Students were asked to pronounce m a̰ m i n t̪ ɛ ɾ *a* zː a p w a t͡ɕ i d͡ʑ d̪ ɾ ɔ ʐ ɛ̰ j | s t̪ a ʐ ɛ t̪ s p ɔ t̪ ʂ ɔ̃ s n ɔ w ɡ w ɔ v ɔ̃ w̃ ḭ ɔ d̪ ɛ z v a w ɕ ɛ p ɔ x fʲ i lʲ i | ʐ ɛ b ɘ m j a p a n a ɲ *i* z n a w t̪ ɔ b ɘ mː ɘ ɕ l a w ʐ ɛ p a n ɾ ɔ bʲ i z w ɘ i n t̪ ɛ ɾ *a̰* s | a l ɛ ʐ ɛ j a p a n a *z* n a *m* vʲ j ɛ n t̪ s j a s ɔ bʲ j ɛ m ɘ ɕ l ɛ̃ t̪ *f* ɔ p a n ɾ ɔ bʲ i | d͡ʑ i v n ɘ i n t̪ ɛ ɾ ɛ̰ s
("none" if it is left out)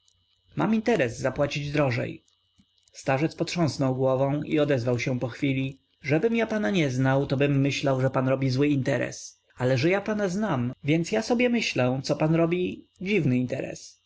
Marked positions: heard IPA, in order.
ɛ, ɛ, ɛ̰, z, m, s

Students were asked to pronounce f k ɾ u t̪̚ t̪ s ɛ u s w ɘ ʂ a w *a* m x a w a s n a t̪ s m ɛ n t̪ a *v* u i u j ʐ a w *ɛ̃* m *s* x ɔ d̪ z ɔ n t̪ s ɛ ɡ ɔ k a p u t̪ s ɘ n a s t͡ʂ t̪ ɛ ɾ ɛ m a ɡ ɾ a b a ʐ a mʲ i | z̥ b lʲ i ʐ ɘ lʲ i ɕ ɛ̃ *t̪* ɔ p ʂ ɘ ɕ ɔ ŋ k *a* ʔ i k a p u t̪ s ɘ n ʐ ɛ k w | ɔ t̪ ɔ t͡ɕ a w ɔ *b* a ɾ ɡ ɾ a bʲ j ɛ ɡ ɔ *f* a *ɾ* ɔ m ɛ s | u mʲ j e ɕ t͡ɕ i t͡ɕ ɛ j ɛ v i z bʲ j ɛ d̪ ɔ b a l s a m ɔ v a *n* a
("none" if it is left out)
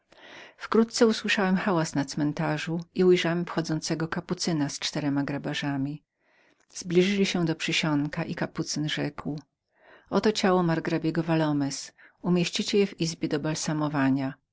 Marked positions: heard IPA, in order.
ɛ, ʐ, ɛ, f, d̪, a, m, v, l, ɲ

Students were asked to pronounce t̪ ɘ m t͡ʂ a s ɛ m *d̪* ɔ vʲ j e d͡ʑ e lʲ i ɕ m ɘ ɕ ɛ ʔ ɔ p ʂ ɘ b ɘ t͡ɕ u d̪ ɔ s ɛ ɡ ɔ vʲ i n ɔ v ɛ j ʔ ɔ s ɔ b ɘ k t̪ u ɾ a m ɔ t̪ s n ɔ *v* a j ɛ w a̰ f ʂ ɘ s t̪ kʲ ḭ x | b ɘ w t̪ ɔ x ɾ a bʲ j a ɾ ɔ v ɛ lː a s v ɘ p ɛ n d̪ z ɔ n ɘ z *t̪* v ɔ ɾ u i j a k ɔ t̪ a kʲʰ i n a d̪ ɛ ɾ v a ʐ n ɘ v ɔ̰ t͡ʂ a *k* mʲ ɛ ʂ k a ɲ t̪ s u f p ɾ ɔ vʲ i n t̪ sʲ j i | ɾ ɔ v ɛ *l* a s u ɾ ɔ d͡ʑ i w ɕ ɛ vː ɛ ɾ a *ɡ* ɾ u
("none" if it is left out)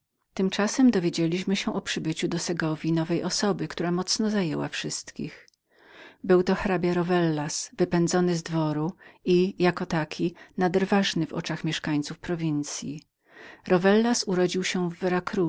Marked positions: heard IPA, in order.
d̪, z, d̪, x, lː, k

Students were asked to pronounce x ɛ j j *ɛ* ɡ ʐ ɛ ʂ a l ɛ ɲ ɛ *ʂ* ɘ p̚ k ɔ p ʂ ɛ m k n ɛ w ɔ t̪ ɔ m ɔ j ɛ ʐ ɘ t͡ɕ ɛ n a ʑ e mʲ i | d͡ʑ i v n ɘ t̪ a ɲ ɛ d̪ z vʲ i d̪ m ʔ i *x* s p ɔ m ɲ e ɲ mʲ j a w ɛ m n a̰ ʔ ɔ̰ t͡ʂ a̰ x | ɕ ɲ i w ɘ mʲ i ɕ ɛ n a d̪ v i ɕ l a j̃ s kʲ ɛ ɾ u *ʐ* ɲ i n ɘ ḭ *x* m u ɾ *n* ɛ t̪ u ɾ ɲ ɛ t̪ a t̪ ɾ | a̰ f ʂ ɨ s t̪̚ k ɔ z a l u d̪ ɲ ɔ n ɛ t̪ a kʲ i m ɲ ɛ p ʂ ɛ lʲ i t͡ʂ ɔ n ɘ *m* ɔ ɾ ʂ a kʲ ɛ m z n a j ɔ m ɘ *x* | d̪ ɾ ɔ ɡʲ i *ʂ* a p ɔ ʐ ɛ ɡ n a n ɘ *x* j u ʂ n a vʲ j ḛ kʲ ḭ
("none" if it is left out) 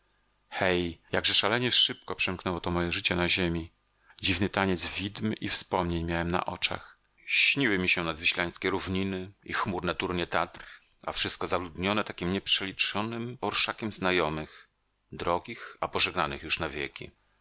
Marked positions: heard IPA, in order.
a, ʂ, f, v, x, n, m, x, x, x

